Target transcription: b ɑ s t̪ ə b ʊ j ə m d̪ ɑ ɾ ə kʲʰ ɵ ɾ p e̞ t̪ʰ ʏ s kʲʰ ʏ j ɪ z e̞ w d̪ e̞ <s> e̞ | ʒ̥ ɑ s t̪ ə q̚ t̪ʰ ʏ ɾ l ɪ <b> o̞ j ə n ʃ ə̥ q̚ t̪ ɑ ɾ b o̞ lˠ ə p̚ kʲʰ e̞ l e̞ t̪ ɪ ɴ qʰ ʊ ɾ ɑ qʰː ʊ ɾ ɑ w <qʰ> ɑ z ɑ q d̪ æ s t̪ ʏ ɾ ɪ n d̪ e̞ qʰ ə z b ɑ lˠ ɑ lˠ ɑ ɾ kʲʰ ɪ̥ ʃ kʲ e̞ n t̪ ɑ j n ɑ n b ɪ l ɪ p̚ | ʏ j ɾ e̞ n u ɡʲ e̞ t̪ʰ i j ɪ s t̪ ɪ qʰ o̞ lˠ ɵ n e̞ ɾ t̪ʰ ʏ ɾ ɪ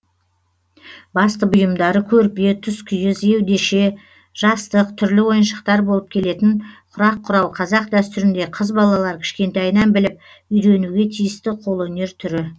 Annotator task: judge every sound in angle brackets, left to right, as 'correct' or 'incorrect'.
incorrect: ʃ, incorrect: w, correct

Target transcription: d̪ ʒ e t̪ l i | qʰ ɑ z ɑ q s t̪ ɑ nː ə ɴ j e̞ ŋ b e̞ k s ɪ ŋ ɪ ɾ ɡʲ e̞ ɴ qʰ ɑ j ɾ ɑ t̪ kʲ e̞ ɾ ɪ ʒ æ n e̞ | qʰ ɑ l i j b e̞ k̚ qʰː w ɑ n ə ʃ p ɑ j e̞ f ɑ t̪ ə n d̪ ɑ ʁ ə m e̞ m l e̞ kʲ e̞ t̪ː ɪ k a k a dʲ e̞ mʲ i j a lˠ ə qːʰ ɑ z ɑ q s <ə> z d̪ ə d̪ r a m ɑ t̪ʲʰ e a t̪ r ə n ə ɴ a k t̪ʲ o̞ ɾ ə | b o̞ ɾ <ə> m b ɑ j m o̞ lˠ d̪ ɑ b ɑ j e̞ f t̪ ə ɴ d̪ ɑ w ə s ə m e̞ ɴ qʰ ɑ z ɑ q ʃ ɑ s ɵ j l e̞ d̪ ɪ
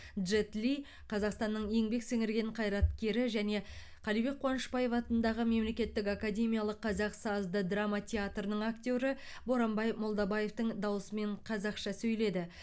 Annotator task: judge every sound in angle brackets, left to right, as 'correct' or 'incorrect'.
incorrect: ɑ, incorrect: ɑ

